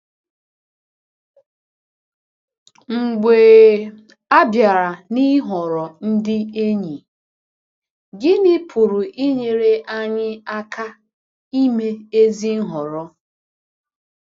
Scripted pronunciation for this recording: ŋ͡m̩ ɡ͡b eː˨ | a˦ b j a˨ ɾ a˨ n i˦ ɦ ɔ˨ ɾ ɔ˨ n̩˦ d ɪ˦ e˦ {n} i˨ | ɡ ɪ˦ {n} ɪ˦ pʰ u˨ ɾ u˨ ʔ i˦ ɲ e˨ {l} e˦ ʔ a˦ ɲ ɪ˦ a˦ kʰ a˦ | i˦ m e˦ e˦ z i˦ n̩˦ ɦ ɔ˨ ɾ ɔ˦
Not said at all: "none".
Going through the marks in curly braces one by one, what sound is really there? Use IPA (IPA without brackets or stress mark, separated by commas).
ɲ, n, ɾ